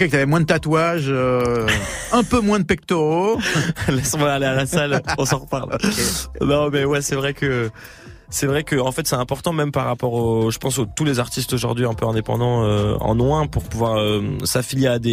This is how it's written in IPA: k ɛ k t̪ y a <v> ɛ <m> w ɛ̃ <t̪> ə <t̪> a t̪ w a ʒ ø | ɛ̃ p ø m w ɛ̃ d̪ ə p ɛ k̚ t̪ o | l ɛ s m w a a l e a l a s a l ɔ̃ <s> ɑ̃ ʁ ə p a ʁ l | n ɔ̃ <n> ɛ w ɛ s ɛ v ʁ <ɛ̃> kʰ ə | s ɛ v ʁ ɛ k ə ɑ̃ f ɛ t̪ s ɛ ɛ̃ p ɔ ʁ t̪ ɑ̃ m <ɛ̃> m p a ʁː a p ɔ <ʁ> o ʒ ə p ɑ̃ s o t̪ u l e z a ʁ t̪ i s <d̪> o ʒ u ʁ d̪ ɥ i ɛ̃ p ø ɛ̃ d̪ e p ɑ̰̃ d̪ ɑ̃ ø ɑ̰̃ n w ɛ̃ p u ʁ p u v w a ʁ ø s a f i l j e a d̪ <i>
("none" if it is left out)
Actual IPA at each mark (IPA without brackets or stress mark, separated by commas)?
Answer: v, m, d̪, t̪, s, m, ɛ, ɛ, ʁ, t̪, e